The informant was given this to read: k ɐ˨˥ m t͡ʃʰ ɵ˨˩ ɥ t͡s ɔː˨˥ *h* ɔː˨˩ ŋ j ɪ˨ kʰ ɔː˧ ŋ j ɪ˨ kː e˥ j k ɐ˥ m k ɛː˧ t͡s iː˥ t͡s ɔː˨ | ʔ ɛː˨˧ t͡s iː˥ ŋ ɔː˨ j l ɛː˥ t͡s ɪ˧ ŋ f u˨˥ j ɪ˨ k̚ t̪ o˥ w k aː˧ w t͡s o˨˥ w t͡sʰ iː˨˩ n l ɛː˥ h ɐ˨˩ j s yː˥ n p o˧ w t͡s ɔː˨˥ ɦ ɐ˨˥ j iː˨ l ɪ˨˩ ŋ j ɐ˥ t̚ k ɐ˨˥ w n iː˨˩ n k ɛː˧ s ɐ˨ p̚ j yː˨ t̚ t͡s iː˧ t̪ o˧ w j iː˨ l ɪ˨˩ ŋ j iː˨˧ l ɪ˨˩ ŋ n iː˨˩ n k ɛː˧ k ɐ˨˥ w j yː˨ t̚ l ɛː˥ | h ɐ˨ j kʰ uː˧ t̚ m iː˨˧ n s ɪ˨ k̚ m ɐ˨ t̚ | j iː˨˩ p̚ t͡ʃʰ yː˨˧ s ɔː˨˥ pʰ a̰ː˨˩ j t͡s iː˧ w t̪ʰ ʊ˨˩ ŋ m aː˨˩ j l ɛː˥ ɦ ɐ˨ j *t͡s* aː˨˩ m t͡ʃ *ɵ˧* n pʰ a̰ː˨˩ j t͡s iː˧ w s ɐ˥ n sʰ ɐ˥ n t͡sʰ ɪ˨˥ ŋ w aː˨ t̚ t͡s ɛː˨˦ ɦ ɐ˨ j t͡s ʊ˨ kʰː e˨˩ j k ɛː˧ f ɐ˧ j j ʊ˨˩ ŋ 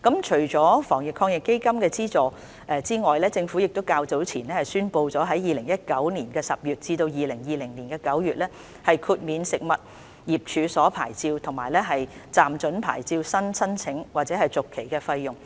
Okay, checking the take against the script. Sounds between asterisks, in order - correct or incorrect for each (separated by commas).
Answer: incorrect, correct, incorrect